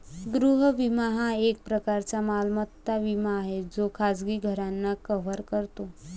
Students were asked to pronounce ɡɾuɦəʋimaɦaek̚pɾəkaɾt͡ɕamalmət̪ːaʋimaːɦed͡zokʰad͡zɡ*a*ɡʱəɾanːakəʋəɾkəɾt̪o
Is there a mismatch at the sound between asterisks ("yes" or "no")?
yes